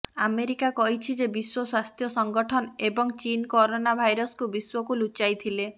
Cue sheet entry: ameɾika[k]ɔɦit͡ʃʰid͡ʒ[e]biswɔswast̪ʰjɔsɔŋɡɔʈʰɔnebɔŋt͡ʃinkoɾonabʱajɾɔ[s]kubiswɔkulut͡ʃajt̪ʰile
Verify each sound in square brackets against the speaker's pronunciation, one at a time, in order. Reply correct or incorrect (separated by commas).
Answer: correct, correct, correct